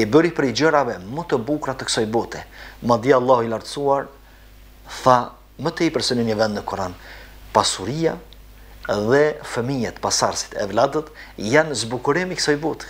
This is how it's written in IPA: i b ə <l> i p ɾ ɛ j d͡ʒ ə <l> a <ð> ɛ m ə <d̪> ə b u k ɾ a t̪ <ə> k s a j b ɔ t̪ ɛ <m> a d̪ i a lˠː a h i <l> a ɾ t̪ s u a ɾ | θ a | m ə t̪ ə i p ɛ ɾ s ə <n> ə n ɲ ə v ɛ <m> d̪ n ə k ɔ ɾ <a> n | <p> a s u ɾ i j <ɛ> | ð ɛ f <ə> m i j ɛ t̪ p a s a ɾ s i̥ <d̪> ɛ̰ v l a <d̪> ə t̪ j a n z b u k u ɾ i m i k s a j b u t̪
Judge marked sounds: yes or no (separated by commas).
no, no, no, no, yes, yes, yes, yes, no, yes, yes, no, yes, no, yes